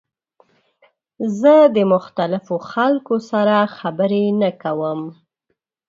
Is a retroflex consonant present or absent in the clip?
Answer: absent